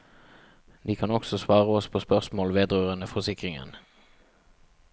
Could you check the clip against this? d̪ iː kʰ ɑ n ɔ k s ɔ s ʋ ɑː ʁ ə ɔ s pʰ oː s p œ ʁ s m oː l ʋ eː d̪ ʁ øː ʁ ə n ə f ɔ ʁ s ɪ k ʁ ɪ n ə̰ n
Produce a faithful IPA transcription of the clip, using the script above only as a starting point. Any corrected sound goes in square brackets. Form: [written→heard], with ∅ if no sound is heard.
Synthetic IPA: d̪ iː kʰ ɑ n ɔ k s ɔ s ʋ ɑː ʁ ə ɔ s pʰ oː s p œ ʁ s m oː l ʋ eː d̪ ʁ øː ʁ ə n ə f ɔ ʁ s ɪ k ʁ ɪ [n→ŋ] ə̰ n